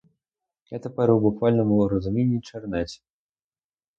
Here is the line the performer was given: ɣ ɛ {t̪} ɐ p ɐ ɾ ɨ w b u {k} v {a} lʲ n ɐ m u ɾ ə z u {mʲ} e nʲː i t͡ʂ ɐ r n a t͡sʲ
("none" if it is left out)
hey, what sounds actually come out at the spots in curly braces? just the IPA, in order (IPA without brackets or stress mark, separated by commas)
t̪, k, a, mʲ